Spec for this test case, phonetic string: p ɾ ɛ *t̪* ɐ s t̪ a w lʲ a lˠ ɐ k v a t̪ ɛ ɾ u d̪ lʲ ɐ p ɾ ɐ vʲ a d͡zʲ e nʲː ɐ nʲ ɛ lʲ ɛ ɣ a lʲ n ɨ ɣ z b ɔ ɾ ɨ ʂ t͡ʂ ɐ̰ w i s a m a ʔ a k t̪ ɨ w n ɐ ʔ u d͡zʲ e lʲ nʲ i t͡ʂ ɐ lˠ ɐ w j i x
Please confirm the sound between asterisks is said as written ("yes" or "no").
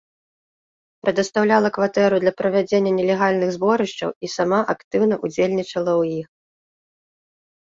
no